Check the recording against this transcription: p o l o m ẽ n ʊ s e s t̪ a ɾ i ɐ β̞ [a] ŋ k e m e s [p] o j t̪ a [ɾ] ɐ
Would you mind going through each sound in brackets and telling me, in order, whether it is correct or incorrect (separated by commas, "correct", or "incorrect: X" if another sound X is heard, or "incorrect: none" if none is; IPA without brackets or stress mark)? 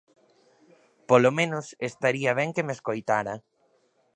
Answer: incorrect: ɛ, incorrect: k, correct